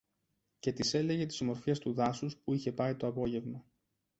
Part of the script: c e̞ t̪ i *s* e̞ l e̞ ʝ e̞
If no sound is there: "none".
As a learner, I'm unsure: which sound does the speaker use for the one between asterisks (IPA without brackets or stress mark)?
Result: s